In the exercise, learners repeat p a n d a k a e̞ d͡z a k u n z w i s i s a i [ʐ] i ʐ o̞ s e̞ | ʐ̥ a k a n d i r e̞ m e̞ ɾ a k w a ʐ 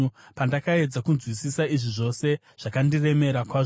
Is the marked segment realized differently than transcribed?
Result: no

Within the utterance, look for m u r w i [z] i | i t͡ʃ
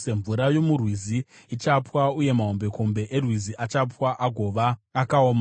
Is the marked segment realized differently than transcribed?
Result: no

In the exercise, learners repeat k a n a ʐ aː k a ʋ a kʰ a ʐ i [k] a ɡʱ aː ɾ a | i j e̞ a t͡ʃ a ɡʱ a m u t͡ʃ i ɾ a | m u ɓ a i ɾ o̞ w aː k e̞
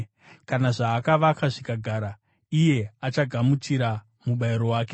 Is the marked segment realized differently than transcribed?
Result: no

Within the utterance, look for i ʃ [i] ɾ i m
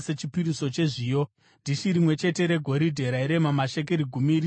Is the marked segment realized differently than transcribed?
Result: no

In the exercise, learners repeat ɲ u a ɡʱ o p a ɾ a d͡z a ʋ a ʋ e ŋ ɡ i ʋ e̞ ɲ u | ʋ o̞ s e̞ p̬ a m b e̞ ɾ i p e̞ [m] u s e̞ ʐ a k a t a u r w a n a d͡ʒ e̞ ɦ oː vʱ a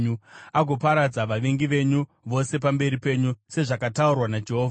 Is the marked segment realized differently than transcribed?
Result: yes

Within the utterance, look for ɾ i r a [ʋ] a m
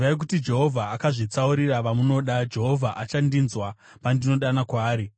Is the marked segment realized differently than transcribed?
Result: no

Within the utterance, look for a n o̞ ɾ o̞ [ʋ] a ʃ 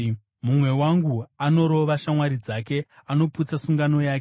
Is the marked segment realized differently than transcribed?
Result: no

